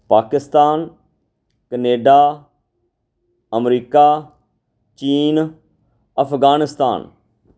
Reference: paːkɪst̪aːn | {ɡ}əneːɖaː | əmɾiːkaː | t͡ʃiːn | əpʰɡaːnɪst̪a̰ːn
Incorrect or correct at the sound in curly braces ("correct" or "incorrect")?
incorrect